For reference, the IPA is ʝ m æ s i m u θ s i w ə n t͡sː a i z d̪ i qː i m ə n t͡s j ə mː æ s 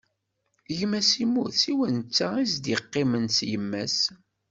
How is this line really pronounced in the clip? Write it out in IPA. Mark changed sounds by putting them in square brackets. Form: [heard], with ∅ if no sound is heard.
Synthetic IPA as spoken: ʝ m æ s i m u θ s i w ə n t͡sː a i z d̪ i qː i m ə n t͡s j ə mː æ s